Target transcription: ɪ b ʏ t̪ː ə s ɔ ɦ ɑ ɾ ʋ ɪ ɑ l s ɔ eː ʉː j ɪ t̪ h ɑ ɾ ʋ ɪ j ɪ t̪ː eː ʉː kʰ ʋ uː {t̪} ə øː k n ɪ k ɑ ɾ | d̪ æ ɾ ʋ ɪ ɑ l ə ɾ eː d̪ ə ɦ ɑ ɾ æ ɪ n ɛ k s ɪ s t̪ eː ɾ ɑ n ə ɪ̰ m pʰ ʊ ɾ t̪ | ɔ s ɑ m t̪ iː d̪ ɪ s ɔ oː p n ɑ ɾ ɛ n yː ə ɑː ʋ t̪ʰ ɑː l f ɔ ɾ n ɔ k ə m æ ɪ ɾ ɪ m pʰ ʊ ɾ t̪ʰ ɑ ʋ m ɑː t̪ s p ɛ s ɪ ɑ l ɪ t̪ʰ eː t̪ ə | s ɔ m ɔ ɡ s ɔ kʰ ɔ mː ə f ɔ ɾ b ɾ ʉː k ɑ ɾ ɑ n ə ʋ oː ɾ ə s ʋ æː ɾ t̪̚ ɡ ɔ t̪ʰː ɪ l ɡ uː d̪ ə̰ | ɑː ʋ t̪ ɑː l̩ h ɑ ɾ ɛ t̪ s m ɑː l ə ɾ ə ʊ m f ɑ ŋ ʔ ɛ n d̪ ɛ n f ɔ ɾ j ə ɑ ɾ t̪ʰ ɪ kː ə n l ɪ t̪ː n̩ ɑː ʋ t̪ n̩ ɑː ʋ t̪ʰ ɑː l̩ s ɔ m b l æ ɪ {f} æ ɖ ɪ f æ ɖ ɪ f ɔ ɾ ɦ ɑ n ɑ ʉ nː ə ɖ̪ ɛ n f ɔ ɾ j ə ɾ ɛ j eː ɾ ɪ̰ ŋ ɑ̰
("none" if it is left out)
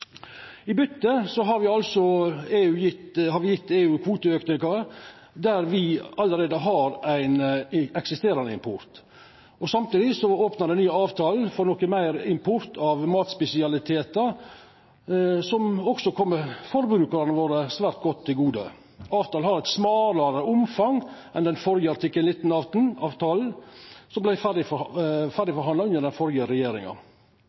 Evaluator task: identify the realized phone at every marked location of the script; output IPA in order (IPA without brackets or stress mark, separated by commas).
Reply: t̪, f